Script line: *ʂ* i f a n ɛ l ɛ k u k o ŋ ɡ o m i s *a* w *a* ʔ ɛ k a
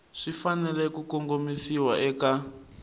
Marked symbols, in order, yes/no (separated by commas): yes, no, yes